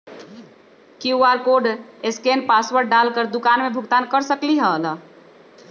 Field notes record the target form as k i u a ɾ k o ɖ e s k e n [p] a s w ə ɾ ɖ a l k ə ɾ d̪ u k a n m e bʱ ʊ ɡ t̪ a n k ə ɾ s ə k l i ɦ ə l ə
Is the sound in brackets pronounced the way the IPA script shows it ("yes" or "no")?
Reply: yes